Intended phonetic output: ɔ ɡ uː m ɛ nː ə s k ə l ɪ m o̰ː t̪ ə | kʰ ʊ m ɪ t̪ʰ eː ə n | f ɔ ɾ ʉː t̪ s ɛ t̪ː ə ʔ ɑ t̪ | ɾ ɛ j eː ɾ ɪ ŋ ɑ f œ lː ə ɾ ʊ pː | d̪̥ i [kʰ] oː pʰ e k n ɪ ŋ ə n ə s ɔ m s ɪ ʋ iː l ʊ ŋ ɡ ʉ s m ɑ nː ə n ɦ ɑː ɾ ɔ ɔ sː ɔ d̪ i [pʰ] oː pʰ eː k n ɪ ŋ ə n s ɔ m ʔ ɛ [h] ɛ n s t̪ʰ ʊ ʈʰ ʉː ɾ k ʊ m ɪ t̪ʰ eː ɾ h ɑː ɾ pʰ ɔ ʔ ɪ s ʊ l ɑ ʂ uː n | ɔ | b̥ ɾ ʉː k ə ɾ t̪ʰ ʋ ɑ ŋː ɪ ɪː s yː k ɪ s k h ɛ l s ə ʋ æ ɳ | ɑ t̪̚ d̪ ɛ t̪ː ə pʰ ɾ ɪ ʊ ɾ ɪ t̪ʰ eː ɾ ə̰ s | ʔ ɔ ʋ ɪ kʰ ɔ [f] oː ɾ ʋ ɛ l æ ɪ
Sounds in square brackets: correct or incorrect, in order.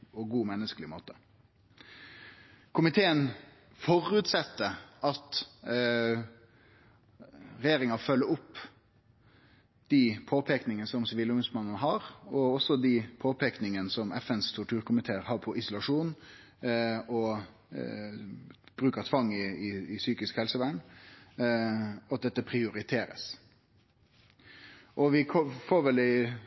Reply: incorrect: pʰ, correct, incorrect: f, correct

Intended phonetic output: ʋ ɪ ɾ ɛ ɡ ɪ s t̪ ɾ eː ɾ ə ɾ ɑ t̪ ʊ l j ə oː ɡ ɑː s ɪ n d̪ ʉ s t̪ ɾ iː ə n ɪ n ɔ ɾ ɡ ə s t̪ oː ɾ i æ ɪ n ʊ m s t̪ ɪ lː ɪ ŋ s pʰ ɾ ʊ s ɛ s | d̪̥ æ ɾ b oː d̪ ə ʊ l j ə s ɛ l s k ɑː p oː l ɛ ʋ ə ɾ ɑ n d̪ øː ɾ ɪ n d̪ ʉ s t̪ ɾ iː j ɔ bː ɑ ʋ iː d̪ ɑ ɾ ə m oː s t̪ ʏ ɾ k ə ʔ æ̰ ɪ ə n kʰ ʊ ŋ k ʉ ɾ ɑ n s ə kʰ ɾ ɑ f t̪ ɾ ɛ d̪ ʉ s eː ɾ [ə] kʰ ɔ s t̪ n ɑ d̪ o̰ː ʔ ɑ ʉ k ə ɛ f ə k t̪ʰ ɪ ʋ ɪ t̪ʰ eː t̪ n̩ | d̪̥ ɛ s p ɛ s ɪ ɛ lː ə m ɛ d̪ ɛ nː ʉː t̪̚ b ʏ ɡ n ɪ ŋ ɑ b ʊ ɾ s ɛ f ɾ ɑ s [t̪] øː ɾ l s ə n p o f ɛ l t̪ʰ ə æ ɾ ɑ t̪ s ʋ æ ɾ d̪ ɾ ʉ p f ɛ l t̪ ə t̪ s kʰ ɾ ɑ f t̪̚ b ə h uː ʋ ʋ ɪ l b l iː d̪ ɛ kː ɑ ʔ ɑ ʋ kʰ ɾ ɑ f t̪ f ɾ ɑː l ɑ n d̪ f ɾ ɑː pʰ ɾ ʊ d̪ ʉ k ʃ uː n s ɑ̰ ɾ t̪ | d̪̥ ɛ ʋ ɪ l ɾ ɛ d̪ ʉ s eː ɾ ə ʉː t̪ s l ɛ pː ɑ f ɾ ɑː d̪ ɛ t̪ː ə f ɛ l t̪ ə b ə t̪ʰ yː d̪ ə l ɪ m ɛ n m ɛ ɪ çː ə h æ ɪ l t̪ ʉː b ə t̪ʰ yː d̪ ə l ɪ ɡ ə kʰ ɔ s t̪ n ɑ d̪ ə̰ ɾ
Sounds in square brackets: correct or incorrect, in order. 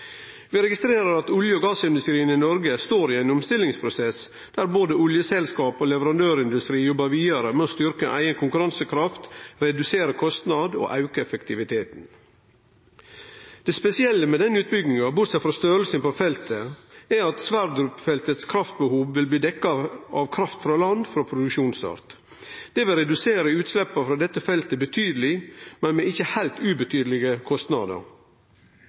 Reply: correct, correct

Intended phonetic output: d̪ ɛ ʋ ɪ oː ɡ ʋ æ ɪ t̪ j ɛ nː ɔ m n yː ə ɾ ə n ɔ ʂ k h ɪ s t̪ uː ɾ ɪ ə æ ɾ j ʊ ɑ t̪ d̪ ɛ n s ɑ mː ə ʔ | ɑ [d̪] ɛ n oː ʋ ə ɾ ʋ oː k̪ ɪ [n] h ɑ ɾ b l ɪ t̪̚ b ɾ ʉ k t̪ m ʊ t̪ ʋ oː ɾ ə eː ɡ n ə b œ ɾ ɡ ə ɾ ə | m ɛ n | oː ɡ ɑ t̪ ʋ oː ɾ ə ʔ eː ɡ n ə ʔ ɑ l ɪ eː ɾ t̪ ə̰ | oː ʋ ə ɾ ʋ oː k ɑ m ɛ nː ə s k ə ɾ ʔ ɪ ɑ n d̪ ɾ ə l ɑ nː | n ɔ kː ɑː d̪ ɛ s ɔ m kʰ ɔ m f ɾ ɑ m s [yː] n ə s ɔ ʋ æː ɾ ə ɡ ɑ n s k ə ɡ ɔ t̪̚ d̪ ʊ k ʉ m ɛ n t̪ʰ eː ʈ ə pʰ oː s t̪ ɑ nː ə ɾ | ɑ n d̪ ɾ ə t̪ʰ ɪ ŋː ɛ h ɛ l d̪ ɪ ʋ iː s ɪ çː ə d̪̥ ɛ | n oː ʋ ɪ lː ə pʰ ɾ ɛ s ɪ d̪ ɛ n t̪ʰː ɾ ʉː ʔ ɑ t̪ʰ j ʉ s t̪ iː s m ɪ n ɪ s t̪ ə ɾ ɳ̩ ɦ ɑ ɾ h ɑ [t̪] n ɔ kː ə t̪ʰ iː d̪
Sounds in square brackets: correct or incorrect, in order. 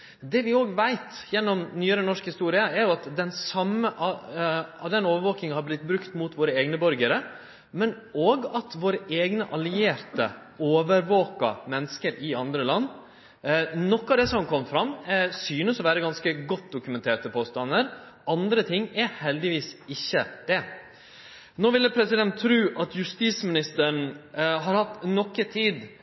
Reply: correct, incorrect: ŋ, correct, correct

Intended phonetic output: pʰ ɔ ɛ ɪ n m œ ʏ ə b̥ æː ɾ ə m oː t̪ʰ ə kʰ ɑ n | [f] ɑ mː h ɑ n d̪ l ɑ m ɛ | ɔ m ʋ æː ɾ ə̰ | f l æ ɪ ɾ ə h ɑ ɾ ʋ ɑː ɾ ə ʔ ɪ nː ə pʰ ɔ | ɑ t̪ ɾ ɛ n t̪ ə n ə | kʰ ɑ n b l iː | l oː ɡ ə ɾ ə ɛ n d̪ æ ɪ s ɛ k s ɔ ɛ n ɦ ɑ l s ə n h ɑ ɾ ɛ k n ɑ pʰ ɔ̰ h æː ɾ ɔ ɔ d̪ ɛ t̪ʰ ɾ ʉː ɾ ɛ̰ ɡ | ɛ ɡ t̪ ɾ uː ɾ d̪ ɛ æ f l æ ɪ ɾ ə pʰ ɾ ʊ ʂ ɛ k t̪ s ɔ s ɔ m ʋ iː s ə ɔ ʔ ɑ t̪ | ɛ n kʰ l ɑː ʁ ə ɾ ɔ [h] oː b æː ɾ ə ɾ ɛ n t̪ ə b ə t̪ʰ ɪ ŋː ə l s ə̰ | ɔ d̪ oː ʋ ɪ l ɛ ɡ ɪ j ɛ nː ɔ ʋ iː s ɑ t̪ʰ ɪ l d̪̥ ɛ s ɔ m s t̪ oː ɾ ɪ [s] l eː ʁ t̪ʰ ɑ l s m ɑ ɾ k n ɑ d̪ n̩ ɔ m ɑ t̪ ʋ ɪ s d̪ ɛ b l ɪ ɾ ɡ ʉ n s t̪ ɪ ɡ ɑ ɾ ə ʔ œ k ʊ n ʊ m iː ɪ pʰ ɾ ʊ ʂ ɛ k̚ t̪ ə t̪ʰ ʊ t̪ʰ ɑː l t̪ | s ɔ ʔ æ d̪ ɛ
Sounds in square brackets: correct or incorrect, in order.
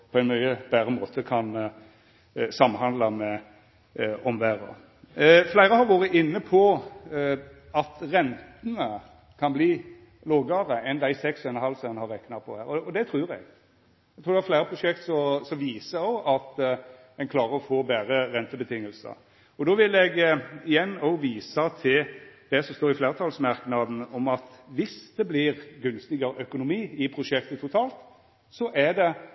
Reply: incorrect: s, incorrect: f, incorrect: f

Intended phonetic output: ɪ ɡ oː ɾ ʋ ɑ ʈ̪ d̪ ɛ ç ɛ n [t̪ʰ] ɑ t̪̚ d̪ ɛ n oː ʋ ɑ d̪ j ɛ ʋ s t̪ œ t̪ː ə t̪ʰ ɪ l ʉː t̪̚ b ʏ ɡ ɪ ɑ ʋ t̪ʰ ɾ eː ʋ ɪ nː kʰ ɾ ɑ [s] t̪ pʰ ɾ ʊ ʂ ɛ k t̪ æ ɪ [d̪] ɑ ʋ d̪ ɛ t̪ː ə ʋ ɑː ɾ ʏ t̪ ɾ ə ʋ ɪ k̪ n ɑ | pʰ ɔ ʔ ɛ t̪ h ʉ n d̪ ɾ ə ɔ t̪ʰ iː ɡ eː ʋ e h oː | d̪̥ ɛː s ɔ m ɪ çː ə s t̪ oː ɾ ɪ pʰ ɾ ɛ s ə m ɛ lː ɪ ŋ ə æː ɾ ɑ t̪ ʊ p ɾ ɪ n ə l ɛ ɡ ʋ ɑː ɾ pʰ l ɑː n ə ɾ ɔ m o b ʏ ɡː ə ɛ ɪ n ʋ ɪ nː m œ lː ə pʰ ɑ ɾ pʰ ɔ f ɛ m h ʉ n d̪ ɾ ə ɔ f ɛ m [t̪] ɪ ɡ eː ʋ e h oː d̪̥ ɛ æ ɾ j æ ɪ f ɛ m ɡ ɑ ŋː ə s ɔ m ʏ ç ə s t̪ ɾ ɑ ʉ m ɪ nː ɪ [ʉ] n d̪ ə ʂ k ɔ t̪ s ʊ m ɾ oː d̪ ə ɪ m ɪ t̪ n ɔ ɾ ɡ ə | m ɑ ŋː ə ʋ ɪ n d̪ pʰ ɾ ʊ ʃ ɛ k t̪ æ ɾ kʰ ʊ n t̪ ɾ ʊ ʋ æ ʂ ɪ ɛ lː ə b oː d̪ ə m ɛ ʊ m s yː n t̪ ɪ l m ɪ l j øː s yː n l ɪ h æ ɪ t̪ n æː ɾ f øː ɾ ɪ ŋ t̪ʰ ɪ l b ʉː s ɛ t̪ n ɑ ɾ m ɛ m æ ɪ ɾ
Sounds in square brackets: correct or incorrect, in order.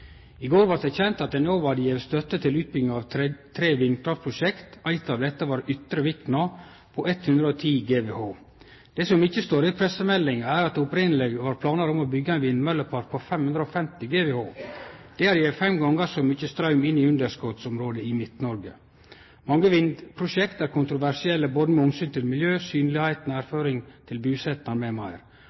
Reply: incorrect: t̪, incorrect: f, incorrect: t̪, correct, correct

